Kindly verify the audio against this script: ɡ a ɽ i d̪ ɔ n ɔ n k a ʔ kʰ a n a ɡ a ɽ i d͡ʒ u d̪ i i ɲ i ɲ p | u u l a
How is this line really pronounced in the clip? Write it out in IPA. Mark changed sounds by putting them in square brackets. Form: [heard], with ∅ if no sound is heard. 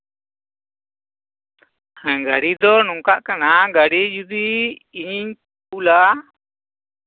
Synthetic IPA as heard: ɡ a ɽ i d̪ ɔ n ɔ [ŋ] k a ʔ [k] a n a ɡ a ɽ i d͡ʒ u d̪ i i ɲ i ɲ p | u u l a